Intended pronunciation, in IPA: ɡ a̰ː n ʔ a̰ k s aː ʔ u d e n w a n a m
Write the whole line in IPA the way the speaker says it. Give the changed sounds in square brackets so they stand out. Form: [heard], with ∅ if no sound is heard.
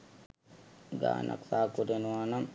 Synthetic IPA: ɡ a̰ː n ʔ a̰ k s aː [k] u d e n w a n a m